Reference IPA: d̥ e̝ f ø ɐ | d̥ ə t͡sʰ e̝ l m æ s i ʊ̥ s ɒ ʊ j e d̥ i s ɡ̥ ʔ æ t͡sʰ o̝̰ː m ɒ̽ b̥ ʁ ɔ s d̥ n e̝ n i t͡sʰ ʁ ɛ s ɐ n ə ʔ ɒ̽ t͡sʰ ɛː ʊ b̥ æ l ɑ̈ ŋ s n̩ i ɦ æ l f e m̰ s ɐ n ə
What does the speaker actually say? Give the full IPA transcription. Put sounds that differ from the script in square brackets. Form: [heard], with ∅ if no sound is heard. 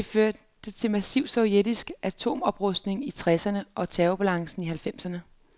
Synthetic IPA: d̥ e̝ f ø ɐ | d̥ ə t͡sʰ e̝ l m æ s i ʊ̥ s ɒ ʊ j e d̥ i s ɡ̥ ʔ æ t͡sʰ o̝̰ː m ɒ̽ b̥ ʁ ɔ s d̥ n e̝ [ŋ] i t͡sʰ ʁ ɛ s ɐ n ə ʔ ɒ̽ t͡sʰ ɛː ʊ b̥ æ l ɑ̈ ŋ s n̩ i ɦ æ l f e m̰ s ɐ n ə